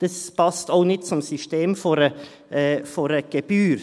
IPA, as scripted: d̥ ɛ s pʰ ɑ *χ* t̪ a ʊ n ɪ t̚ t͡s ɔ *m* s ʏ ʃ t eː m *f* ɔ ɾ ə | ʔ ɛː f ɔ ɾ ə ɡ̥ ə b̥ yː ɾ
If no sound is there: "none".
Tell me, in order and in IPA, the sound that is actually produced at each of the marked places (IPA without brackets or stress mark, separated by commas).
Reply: s, m, f